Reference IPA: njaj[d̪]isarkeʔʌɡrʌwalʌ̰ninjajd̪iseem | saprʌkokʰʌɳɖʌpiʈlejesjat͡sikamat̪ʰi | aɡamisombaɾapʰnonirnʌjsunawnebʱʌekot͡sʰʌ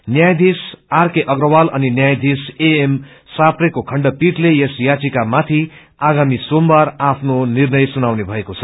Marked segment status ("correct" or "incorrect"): correct